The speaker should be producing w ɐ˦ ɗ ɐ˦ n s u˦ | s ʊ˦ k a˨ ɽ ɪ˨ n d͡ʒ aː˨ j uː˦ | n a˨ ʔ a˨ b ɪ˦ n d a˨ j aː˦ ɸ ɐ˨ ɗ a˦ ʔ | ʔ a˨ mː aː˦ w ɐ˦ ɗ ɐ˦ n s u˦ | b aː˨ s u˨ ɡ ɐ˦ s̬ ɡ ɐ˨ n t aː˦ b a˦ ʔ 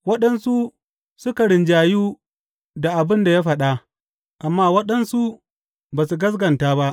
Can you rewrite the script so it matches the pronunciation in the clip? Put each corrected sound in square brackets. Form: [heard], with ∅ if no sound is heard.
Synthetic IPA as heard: w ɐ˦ ɗ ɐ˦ n s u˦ | s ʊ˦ k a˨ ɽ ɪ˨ n d͡ʒ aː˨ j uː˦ | [d] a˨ ʔ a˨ b ɪ˦ n d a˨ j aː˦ ɸ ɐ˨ ɗ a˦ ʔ | ʔ a˨ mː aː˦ w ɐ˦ ɗ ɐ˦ n s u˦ | b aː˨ s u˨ ɡ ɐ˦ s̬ ɡ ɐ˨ n t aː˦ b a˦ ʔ